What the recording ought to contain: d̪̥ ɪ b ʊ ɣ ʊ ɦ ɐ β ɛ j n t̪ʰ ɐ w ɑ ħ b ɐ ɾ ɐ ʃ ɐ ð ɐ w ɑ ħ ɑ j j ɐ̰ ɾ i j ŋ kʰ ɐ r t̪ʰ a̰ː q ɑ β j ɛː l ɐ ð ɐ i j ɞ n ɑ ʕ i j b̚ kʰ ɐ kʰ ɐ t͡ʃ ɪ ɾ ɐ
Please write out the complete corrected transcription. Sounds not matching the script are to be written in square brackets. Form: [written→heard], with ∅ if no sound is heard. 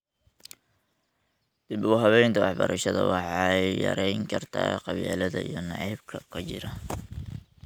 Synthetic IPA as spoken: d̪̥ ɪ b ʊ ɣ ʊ ɦ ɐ β ɛ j n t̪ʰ ɐ w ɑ ħ b ɐ ɾ ɐ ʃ ɐ ð ɐ w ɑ ħ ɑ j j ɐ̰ ɾ [i→ɛ] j ŋ kʰ ɐ r t̪ʰ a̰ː q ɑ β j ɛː l ɐ ð ɐ i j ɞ n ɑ ʕ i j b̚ kʰ ɐ kʰ ɐ t͡ʃ ɪ ɾ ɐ